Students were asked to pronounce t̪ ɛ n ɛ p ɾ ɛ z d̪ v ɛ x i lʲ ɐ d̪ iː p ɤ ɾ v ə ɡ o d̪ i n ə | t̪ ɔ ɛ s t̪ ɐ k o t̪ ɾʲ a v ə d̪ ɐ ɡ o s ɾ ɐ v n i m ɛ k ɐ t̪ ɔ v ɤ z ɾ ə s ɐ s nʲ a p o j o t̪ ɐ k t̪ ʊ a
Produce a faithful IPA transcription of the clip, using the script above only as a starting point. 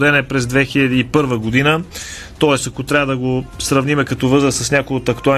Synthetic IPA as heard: d̪ ɛ n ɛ p ɾ ɛ z d̪ v ɛ x i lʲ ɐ d̪ iː p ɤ ɾ v ə ɡ o d̪ i n ə | t̪ ɔ ɛ s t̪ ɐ k o t̪ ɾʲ a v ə d̪ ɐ ɡ o s ɾ ɐ v n i m ɛ k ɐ t̪ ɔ v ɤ z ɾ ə s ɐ s nʲ a k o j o t̪ ɐ k t̪ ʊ a